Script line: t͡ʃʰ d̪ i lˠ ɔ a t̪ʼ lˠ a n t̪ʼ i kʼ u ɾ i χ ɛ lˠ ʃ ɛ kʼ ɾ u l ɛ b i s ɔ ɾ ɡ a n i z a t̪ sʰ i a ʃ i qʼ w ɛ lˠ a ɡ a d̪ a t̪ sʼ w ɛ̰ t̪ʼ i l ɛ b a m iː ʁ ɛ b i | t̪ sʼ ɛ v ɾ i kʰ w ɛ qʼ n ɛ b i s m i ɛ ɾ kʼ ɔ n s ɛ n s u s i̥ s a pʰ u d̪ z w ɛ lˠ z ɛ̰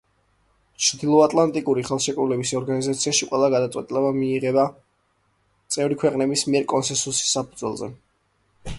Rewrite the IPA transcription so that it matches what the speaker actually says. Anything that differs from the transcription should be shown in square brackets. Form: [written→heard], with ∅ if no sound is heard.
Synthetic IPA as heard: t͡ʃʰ d̪ i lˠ ɔ a t̪ʼ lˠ a n t̪ʼ i kʼ u ɾ i χ ɛ lˠ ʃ ɛ kʼ ɾ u l ɛ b i s ɔ ɾ ɡ a n i z a t̪ sʰ i a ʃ i qʼ w ɛ lˠ a ɡ a d̪ a t̪ sʼ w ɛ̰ t̪ʼ i l ɛ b a m iː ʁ ɛ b [i→a] | t̪ sʼ ɛ v ɾ i kʰ w ɛ qʼ n ɛ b i s m i ɛ ɾ kʼ ɔ n s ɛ n s u s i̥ s a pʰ u d̪ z w ɛ lˠ z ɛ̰